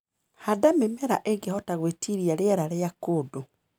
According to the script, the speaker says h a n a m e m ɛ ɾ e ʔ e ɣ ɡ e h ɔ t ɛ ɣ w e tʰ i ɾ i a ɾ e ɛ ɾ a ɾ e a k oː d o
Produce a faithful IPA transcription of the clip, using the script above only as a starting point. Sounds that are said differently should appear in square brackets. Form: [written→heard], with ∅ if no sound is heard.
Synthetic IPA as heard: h a [n→d] a m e m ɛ ɾ [e→a] ʔ e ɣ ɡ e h ɔ t [ɛ→a] ɣ w e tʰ i ɾ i a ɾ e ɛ ɾ a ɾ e a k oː d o

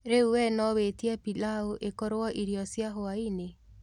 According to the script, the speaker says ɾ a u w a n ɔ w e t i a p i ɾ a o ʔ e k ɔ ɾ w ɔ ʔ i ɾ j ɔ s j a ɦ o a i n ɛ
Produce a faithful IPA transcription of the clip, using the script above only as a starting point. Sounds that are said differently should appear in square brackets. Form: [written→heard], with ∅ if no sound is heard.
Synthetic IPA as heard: ɾ [a→e] u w [a→ɛ] n ɔ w e t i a p i [ɾ→l] a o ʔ e k ɔ ɾ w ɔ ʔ i ɾ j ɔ s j a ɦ o a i n [ɛ→e]

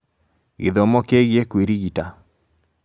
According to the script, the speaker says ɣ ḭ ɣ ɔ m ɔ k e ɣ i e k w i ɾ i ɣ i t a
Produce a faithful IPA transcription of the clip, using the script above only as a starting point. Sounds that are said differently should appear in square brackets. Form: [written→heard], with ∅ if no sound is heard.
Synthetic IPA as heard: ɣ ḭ [ɣ→ð] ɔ m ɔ k e ɣ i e k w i ɾ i ɣ i t a

